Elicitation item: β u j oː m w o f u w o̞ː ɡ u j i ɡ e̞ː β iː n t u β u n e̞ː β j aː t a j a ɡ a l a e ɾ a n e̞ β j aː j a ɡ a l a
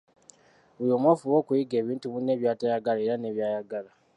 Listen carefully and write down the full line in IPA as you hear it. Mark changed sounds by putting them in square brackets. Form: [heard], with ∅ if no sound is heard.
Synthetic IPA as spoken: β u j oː m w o f u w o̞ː [k] u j i ɡ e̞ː β iː n t u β u n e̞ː β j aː t a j a ɡ a l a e ɾ a n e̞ β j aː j a ɡ a l a